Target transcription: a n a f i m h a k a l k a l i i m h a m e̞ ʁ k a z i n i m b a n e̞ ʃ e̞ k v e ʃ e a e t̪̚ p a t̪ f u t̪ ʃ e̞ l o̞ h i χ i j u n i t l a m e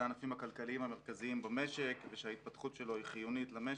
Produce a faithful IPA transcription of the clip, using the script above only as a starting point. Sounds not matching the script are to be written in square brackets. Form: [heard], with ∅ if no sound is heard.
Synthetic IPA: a n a f i m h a k a l k a l i i m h a m e̞ ʁ k a z i [∅] i m b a [m] e̞ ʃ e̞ k v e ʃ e a [i] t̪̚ p a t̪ [χ] u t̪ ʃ e̞ l o̞ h i χ i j u n i t l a m e